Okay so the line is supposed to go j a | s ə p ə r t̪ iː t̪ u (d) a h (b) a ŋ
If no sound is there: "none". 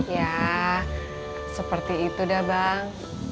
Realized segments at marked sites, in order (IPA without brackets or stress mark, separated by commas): d, b